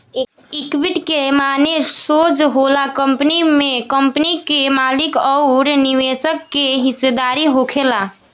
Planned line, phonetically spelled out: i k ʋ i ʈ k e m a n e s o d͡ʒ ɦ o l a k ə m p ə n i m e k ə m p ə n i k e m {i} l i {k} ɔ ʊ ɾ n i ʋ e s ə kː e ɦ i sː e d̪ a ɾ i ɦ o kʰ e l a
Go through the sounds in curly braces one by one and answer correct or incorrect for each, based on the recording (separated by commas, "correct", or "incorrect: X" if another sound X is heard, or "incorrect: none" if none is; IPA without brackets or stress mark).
incorrect: a, correct